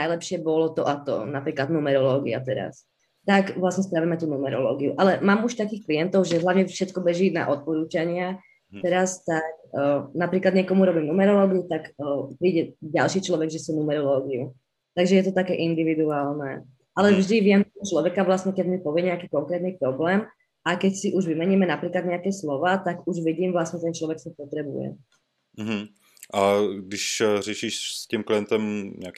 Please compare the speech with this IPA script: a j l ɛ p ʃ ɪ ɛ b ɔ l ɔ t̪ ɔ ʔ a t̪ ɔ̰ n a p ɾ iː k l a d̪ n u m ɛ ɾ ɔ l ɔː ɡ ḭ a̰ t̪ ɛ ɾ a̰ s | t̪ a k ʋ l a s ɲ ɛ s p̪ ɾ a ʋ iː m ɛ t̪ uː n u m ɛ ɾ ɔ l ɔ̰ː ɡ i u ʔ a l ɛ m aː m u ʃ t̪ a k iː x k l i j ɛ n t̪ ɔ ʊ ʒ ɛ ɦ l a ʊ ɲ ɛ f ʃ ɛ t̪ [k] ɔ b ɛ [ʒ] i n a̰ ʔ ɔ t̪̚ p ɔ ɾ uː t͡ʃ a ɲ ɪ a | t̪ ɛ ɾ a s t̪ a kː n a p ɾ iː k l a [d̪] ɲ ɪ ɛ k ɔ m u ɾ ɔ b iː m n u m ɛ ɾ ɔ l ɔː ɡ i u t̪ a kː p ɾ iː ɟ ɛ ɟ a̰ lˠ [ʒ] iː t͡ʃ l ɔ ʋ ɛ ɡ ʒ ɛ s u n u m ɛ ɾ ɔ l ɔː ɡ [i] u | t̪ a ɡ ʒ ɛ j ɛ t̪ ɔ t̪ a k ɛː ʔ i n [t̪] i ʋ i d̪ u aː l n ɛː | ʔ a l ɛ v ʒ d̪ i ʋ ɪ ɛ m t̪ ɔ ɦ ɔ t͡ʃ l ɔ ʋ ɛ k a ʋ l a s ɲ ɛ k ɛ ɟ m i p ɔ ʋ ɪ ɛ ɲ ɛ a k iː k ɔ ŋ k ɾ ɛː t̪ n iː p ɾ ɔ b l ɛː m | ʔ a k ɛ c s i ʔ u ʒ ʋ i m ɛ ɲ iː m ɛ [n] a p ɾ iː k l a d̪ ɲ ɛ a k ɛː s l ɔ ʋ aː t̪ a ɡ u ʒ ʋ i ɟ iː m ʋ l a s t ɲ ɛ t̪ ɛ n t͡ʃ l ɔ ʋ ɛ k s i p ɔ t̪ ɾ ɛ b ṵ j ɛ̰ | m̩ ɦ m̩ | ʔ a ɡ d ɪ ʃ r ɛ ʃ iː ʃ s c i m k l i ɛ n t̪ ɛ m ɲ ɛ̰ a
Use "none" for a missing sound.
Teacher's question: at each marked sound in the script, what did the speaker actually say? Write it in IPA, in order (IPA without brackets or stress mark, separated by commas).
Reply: k, ʒ, d̪, ʃ, i, d̪, n